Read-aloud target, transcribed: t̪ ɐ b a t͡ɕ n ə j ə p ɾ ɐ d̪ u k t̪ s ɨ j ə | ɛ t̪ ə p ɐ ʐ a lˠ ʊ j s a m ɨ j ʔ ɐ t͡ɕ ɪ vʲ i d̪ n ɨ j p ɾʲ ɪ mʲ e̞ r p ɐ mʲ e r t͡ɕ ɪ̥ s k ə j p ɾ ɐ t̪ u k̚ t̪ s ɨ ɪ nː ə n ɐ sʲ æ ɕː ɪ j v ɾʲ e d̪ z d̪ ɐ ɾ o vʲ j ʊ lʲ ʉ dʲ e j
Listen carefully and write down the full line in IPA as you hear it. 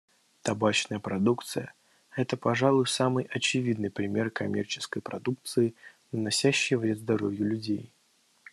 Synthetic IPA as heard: t̪ ɐ b a t͡ɕ n ə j ə p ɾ ɐ d̪ u k t̪ s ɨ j ə | ɛ t̪ ə p ɐ ʐ a lˠ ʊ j s a m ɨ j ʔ ɐ t͡ɕ ɪ vʲ i d̪ n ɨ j p ɾʲ ɪ mʲ e̞ r k ɐ mʲ e r t͡ɕ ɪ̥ s k ə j p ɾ ɐ d̪ u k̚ t̪ s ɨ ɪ n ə n ɐ sʲ æ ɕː ɪ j v ɾʲ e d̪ z d̪ ɐ ɾ o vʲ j ʊ lʲ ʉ dʲ e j

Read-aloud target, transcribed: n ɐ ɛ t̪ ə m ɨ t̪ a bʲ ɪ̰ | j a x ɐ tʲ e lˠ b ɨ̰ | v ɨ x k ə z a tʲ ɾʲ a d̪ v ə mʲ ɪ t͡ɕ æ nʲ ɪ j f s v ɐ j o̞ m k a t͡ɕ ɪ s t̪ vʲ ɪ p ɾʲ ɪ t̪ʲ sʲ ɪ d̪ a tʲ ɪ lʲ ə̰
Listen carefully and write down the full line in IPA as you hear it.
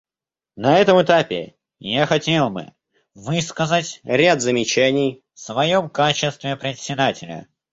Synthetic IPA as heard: n ɐ ɛ t̪ ə m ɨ t̪ a pʲ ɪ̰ | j a x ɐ tʲ e lˠ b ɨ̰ | v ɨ s k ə z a tʲ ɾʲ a d̪ z ə mʲ ɪ t͡ɕ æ nʲ ɪ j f s v ɐ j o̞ m k a t͡ɕ ɪ s t̪ vʲ ɪ p ɾʲ ɪ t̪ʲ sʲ ɪ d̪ a tʲ ɪ lʲ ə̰

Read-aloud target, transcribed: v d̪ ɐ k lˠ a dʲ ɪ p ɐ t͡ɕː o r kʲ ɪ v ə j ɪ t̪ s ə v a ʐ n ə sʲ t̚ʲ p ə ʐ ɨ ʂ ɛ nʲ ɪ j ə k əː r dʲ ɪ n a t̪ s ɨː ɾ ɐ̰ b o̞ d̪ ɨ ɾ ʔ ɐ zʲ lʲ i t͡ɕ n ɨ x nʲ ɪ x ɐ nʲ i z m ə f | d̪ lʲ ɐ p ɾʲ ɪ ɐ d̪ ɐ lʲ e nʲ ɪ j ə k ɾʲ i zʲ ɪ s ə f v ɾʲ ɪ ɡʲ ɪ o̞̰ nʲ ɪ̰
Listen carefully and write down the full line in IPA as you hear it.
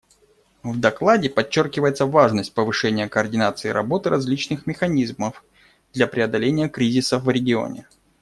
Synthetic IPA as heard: v d̪ ɐ k lˠ a dʲ ɪ p ɐ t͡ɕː o r kʲ ɪ v ə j ɪ t̪ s ə v a ʐ n ə sʲ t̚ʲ p ə v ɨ ʂ ɛ nʲ ɪ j ə k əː r dʲ ɪ n a t̪ s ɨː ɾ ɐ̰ b o̞ t̪ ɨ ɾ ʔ ɐ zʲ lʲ i t͡ɕ n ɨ x mʲ ɪ x ɐ nʲ i z m ə f | d̪ lʲ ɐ p ɾʲ ɪ ɐ d̪ ɐ lʲ e nʲ ɪ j ə k ɾʲ i zʲ ɪ s ə f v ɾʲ ɪ ɡʲ ɪ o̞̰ nʲ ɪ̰

